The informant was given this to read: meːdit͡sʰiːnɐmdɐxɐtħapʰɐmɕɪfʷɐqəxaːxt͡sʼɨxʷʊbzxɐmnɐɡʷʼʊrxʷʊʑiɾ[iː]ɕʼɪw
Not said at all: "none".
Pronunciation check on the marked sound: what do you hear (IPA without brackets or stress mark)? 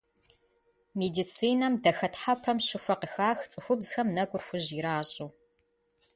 aː